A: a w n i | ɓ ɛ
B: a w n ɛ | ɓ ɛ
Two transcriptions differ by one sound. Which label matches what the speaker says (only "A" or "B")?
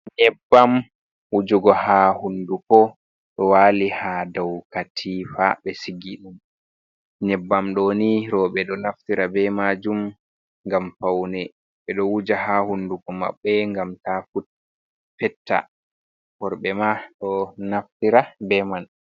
B